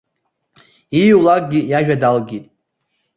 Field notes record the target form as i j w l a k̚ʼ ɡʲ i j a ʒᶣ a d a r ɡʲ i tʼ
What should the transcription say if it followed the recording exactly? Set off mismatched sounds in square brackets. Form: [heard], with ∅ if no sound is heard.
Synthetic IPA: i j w l a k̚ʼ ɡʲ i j a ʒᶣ a d a [l] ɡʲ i tʼ